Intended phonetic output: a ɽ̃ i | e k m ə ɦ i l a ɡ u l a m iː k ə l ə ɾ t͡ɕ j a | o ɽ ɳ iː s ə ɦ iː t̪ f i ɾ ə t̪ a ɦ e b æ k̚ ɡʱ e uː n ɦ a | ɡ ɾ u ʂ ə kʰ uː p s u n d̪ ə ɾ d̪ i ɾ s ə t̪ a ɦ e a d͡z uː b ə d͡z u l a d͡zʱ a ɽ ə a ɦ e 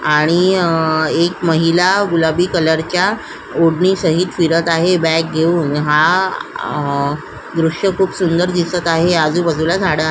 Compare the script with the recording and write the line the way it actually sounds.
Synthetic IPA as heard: a ɽ̃ i | e k m ə ɦ i l a ɡ u l a b iː k ə l ə ɾ t͡ɕ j a | o ɽ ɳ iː s ə ɦ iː t̪ f i ɾ ə t̪ a ɦ e b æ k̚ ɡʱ e uː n ɦ a | ɡ ɾ u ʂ ə kʰ uː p s u n d̪ ə ɾ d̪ i s ə t̪ a ɦ e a d͡z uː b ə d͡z u l a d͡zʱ a ɽ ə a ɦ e